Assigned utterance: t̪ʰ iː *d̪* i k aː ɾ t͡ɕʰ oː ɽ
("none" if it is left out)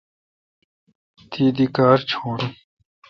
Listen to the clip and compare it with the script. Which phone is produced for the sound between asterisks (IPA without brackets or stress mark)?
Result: d̪